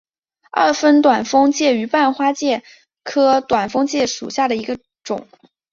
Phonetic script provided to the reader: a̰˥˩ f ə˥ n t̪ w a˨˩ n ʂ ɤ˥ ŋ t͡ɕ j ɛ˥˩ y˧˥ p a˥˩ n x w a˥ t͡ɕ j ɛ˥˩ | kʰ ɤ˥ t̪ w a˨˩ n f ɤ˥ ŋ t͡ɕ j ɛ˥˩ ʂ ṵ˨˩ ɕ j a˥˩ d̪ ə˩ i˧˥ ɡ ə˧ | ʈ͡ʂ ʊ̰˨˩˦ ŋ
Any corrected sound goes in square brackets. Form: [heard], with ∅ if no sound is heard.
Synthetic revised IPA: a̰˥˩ f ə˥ n t̪ w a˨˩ n [f] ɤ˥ ŋ t͡ɕ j ɛ˥˩ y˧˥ p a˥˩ n x w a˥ t͡ɕ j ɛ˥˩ | kʰ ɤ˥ t̪ w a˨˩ n f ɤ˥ ŋ t͡ɕ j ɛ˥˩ ʂ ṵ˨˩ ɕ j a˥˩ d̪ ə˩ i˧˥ ɡ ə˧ | ʈ͡ʂ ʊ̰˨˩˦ ŋ